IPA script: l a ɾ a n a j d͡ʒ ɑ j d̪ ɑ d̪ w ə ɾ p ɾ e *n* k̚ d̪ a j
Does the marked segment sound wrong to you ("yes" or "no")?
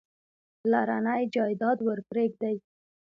yes